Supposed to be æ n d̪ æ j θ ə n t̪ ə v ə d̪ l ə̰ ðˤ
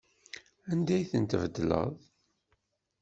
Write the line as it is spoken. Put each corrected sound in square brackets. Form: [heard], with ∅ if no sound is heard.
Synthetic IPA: æ n d̪ æ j θ ə n t̪ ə v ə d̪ l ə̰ ðˤ